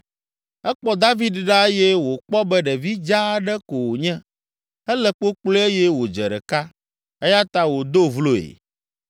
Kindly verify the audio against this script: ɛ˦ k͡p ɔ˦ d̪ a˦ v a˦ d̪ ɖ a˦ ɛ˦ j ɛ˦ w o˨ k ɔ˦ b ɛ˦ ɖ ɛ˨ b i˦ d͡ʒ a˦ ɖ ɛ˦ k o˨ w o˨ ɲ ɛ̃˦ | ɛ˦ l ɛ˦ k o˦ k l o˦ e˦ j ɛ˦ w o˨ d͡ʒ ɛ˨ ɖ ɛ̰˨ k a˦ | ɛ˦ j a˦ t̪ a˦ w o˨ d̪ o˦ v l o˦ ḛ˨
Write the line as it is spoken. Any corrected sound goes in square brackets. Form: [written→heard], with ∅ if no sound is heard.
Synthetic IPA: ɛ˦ k͡p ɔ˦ d̪ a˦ v [a˦→i˦] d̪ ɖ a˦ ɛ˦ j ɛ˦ w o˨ [k→k͡p] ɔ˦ b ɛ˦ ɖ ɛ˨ [b→v] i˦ d͡ʒ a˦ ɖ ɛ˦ k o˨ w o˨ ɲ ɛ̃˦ | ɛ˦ l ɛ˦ [k→k͡p] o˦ [k→k͡p] l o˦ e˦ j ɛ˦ w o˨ d͡ʒ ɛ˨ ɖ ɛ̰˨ k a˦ | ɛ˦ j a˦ t̪ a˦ w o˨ d̪ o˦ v l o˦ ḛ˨